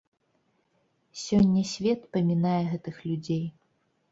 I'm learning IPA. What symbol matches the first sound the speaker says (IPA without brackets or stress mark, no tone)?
sʲ